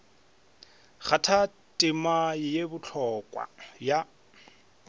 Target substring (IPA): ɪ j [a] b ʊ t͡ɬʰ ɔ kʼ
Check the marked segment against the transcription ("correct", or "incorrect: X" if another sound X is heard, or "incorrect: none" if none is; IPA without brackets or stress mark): incorrect: e